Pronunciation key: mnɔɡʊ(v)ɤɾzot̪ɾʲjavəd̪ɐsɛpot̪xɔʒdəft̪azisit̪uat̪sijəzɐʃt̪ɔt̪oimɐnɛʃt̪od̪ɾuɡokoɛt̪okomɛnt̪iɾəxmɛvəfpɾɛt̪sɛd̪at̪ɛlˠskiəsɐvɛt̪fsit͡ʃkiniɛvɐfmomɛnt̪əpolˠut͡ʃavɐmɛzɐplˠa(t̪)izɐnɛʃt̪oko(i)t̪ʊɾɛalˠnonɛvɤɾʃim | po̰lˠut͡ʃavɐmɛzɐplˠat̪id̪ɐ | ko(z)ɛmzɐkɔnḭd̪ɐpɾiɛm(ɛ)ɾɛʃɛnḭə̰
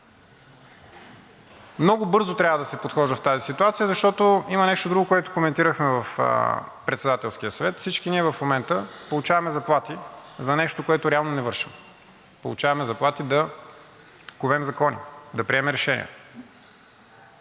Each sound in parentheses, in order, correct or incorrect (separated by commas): incorrect, correct, incorrect, incorrect, correct